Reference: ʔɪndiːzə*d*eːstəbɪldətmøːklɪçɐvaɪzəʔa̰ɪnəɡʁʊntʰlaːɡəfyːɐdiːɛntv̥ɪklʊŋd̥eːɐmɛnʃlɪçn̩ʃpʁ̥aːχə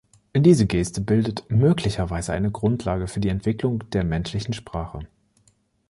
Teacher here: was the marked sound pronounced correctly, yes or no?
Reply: no